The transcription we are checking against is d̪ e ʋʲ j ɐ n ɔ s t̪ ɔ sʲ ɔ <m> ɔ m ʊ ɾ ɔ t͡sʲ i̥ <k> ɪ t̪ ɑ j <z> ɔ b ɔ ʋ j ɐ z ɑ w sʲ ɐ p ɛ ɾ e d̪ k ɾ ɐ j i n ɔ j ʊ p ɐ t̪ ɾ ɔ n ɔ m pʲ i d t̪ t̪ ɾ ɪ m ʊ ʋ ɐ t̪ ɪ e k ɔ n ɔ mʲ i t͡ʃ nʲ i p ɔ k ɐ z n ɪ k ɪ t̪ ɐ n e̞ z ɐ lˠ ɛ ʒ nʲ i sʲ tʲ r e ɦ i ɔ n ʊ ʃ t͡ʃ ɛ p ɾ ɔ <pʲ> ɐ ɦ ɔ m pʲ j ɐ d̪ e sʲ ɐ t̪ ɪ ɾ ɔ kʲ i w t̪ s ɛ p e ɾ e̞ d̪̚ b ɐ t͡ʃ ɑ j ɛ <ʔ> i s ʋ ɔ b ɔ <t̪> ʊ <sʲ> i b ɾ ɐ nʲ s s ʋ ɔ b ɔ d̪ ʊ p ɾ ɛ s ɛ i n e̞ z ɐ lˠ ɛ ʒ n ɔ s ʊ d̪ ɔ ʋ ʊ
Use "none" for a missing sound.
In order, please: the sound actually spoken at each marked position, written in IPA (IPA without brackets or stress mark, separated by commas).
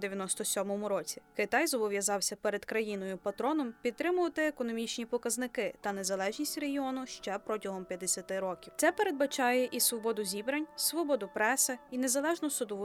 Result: m, k, z, tʲ, ʔ, d̪, zʲ